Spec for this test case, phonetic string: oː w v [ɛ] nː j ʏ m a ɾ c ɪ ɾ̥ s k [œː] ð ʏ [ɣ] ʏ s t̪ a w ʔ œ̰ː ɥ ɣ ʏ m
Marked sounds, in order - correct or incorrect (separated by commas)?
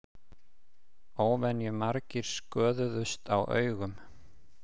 correct, correct, incorrect